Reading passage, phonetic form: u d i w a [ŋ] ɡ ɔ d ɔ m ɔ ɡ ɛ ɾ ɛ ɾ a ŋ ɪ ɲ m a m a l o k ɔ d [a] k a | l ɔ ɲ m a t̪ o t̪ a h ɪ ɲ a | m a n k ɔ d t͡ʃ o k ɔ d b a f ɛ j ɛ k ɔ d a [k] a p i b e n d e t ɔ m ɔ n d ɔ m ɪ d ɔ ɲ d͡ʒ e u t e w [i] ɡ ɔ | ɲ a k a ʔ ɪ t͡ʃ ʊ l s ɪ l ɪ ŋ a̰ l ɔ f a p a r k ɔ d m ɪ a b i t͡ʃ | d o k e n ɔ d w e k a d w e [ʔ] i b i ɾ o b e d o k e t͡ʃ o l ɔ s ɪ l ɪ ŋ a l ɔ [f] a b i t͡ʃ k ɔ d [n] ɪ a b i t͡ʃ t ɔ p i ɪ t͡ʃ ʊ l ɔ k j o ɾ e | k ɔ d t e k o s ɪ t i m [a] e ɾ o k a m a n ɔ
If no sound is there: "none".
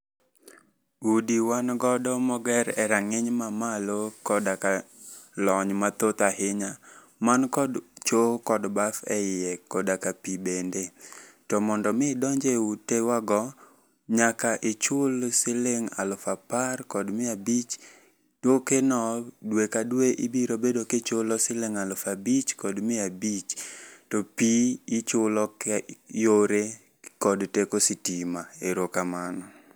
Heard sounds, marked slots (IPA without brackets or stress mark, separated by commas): n, a, k, a, ʔ, f, m, a